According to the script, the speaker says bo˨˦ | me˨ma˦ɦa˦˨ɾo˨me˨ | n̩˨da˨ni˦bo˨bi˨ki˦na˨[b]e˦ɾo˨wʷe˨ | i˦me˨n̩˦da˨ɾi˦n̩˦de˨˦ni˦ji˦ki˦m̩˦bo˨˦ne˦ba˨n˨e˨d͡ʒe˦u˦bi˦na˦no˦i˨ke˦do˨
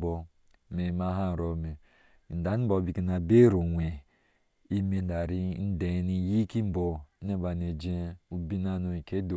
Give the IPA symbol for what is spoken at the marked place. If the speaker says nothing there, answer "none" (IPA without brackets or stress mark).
b